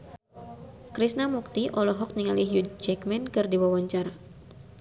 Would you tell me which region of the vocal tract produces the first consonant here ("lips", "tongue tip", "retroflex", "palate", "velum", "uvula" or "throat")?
velum